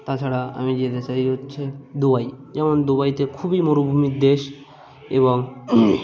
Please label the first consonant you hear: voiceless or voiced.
voiceless